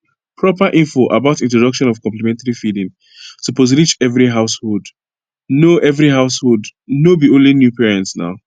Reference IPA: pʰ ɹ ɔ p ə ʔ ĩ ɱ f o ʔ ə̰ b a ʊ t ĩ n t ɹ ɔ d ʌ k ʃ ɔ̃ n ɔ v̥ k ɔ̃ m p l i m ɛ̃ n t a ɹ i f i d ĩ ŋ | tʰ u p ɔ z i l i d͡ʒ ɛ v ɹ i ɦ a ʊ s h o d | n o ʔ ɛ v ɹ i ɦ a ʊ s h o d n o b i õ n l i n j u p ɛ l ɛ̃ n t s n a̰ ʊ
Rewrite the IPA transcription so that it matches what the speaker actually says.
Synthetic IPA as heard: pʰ ɹ ɔ p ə ʔ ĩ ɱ f o ʔ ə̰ b a ʊ t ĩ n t ɹ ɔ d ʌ k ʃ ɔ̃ n ɔ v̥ k ɔ̃ m p l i m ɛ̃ n t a ɹ i f i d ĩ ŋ | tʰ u p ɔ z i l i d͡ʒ ɛ v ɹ i ɦ a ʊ s h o d | n o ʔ ɛ v ɹ i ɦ a ʊ s h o d n o b i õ n l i n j u p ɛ ɹ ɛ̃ n t s n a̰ ʊ